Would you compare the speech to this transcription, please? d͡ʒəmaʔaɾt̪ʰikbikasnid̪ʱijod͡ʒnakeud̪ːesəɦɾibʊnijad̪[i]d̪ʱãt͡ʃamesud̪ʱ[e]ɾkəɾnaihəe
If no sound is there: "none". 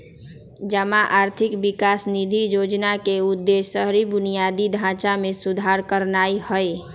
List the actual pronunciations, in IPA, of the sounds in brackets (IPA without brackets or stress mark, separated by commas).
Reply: i, a